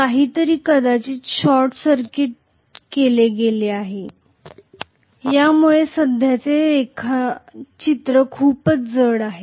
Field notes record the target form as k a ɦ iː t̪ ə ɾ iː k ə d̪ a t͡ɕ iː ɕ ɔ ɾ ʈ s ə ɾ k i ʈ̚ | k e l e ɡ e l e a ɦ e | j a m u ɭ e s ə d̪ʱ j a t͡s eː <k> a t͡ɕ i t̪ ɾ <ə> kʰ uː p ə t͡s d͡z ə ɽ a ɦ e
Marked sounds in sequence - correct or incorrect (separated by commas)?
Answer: incorrect, correct